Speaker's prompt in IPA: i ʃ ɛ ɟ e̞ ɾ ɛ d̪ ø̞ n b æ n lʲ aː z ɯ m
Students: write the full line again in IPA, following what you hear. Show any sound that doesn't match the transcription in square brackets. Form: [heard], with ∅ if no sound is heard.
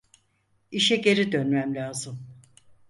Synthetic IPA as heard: i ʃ ɛ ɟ e̞ ɾ [i] d̪ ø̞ n [m] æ [m] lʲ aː z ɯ m